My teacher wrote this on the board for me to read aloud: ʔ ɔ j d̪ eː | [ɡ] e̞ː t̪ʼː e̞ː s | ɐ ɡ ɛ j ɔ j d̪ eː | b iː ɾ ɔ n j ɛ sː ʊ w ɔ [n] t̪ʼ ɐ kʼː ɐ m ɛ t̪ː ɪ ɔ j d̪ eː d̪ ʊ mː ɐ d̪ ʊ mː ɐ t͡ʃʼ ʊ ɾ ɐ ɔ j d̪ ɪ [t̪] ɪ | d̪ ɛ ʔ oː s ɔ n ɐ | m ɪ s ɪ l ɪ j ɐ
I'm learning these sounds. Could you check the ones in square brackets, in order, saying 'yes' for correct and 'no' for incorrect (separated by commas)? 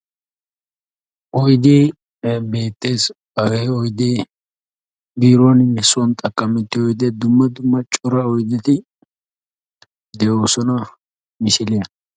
no, yes, yes